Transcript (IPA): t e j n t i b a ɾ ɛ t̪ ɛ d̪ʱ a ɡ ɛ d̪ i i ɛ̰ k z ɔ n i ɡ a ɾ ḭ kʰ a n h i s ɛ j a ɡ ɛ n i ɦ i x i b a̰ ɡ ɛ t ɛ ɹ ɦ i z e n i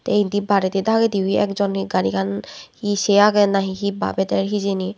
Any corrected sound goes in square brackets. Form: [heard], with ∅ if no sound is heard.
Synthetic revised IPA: t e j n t i b a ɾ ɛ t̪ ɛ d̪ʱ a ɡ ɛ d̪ i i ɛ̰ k z ɔ n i ɡ a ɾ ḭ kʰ a n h i s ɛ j a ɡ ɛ n [a] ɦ i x i b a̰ [b] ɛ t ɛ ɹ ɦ i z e n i